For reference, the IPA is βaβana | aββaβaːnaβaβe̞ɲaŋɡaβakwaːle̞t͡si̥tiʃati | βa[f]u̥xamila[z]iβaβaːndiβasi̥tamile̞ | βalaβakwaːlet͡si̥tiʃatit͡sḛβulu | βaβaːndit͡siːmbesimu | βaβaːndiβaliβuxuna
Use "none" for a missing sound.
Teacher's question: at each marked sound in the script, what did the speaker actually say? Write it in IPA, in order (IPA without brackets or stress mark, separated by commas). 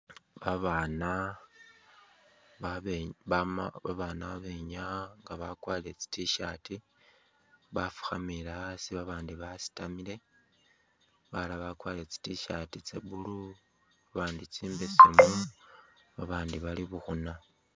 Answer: f, s